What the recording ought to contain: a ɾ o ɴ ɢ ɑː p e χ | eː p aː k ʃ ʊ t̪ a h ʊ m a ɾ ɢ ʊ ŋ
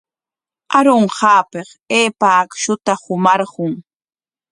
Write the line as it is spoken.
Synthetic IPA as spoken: a ɾ o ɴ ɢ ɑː p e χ | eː p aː k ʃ ʊ t̪ a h ʊ m ɑ ɾ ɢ ʊ ŋ